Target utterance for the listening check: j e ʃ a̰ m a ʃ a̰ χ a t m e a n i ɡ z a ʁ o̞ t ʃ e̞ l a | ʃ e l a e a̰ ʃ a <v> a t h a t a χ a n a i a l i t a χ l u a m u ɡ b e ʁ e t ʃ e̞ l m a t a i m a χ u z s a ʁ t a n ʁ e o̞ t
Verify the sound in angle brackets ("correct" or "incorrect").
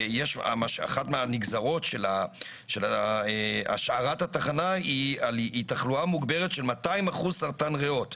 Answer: incorrect